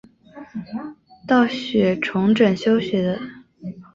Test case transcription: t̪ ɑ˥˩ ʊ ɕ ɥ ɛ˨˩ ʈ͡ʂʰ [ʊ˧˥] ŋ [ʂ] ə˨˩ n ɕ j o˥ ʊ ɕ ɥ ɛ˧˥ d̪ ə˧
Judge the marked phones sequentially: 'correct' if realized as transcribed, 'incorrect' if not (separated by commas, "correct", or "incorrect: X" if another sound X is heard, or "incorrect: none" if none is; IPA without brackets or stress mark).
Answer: correct, incorrect: ʈ͡ʂ